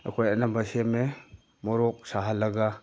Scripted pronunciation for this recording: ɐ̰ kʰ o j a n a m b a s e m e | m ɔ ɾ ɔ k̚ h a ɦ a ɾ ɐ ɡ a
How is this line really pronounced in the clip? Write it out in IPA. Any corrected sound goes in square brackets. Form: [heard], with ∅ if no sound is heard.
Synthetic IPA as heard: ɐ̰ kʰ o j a n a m b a s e m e | m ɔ ɾ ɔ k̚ [s] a ɦ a [l] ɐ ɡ a